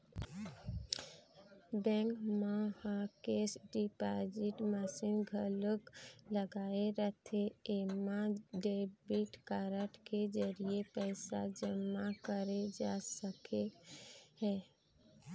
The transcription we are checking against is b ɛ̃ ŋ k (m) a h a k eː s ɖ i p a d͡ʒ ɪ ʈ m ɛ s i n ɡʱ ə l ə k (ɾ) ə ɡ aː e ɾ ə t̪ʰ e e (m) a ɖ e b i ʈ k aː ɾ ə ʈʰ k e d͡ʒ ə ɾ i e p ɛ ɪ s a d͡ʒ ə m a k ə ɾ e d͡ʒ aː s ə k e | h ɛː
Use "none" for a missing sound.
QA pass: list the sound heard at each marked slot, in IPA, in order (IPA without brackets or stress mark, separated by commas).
m, l, m